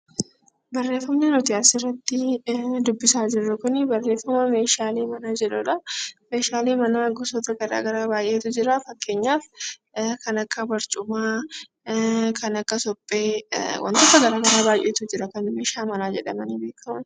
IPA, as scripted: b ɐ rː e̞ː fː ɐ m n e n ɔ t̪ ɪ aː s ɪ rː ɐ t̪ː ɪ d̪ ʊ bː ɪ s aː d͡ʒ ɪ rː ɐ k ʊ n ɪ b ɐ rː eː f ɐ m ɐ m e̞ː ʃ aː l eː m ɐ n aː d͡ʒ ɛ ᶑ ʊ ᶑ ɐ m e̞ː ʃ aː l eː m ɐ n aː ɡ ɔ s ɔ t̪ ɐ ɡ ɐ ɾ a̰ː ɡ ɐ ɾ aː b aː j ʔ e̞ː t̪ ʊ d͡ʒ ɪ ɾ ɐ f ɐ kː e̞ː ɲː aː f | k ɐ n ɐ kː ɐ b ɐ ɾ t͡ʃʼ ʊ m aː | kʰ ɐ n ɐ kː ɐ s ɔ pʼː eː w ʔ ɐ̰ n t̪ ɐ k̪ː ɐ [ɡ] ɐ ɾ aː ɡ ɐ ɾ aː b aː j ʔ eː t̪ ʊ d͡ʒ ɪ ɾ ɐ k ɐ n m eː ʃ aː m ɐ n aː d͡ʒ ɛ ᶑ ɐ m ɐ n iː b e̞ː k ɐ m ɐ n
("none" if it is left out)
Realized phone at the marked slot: ɡ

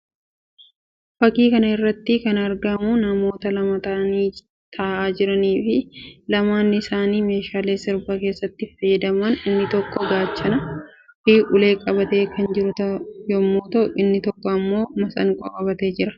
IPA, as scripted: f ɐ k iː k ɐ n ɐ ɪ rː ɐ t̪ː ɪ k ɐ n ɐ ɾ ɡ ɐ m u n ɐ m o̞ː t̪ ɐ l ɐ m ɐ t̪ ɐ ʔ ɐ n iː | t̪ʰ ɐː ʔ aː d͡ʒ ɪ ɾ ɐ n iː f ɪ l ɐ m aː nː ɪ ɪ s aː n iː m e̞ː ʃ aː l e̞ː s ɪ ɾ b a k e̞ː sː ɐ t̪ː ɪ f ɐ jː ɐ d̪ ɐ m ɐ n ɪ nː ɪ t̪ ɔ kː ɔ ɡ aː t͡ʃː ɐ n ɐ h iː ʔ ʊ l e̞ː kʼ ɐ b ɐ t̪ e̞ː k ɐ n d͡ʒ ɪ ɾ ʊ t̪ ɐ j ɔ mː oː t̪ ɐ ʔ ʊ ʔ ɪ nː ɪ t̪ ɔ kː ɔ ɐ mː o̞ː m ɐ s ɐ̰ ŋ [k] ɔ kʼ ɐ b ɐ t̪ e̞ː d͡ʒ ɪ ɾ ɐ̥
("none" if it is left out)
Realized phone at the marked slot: kʼ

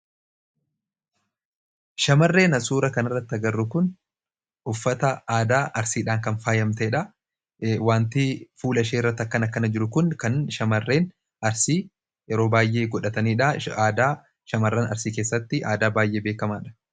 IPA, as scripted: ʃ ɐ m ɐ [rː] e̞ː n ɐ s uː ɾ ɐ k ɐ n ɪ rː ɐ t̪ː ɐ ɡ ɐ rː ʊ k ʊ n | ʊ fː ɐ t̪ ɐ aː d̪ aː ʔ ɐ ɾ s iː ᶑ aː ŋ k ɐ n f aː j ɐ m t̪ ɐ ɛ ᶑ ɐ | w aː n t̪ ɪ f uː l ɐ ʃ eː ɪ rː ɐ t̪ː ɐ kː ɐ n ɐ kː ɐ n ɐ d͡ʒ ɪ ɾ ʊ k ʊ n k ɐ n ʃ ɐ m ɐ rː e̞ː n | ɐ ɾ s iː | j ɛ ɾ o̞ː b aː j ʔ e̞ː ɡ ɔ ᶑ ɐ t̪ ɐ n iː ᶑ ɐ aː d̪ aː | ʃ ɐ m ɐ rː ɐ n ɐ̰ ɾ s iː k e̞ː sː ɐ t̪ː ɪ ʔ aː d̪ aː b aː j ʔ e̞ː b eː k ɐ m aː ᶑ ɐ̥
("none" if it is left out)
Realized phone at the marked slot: rː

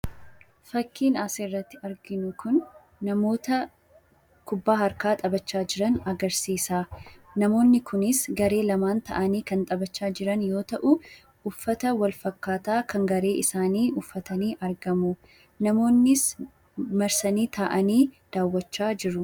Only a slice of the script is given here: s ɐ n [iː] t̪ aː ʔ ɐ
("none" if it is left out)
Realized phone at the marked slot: iː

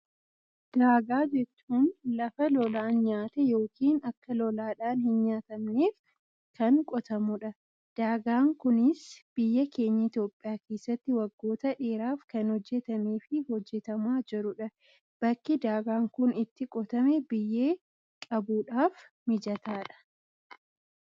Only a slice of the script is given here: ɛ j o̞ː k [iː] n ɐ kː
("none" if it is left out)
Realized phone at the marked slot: iː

